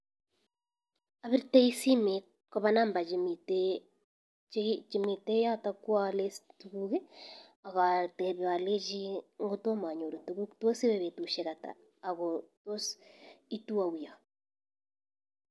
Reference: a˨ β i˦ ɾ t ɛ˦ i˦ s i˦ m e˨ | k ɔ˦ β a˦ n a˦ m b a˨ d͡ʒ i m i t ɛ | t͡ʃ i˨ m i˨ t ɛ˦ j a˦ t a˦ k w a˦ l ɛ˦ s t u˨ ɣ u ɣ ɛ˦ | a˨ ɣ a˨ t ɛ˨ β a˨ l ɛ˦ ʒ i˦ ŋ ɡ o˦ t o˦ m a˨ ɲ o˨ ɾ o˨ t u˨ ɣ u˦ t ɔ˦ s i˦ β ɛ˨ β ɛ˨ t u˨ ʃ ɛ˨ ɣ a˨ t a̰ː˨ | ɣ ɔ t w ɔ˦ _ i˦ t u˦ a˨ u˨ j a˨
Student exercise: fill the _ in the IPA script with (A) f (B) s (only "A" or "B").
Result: B